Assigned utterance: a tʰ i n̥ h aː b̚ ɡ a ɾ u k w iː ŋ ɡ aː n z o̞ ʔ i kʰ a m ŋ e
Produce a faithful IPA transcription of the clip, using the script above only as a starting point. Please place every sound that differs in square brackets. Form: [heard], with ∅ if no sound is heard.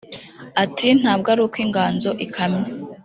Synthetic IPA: a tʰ i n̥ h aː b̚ ɡ a ɾ u k w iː ŋ ɡ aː n z o̞ ʔ i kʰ a m [ɲ] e